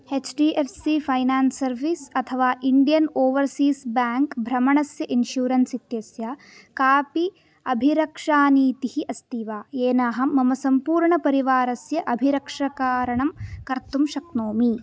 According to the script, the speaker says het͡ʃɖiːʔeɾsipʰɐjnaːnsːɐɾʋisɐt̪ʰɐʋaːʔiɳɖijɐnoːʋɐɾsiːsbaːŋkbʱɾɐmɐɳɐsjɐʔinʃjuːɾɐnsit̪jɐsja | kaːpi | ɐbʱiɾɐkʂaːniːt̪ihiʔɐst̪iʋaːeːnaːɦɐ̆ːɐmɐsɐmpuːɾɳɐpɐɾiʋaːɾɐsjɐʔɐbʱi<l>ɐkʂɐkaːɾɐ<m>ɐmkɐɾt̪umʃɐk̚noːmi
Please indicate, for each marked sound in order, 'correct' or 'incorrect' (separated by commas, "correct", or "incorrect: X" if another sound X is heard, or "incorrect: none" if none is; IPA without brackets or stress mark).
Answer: incorrect: ɾ, incorrect: ɳ